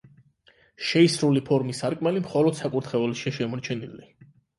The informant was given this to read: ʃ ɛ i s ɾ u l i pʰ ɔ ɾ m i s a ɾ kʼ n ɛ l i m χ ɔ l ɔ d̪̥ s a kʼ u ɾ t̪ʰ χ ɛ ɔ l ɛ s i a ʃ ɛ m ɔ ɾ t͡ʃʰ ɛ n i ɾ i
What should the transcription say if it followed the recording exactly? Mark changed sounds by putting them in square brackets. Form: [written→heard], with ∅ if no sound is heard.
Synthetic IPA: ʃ ɛ i s ɾ u l i pʰ ɔ ɾ m i s a ɾ kʼ [n→m] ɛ l i m χ ɔ l ɔ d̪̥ s a kʼ u ɾ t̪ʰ χ ɛ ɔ l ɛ [s→ʃ] i a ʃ ɛ m ɔ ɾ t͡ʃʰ ɛ n i [ɾ→l] i